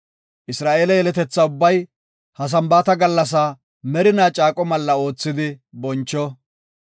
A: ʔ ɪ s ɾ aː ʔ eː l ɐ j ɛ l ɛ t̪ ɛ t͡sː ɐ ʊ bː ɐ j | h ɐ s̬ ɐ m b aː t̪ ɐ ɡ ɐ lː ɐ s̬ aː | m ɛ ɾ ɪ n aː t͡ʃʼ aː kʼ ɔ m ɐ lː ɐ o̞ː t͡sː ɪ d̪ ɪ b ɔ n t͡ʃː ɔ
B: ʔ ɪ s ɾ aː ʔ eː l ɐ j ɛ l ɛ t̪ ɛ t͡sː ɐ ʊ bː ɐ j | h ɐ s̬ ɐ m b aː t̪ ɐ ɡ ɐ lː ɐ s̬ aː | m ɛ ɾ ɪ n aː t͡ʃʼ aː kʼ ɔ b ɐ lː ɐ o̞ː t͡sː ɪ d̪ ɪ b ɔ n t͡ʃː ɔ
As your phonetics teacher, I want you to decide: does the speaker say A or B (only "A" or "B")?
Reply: A